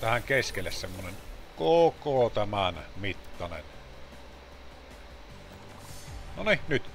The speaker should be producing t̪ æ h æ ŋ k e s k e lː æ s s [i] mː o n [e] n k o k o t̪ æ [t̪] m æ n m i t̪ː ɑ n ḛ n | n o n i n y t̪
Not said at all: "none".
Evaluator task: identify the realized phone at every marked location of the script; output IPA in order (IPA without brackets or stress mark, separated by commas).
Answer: e, e, none